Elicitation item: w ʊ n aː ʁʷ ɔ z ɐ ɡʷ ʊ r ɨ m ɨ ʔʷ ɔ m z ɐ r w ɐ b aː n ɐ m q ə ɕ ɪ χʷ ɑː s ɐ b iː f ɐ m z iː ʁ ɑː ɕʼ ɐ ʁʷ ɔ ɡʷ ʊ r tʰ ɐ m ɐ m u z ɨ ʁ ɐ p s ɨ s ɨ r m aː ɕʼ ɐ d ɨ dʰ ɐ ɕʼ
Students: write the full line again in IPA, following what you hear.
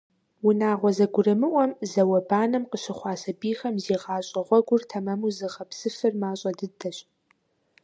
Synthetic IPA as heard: w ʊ n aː ʁʷ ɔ z ɐ ɡʷ ʊ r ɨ m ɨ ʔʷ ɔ m z ɐ w ɐ b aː n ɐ m q ə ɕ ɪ χʷ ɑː s ɐ b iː x ɐ m z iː ʁ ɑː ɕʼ ɐ ʁʷ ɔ ɡʷ ʊ r tʰ ɐ m ɐ m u z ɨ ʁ ɐ p s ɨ f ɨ r m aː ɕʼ ɐ d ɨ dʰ ɐ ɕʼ